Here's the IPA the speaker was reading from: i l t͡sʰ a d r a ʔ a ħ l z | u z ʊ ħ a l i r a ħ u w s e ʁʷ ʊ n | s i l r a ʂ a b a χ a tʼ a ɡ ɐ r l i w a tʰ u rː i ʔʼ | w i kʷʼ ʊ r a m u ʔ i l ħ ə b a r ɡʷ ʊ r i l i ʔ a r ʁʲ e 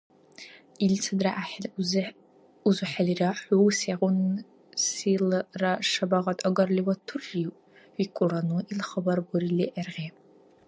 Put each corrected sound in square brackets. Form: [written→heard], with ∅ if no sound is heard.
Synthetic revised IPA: i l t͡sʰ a d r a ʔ a ħ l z | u z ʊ ħ a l i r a ħ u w s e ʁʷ ʊ n | s i l r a ʂ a b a [χ→ʁ] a tʼ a ɡ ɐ r l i w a tʰ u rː i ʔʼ | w i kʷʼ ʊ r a [m→n] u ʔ i l [ħ→χ] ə b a r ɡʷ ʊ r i l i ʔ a r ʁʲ e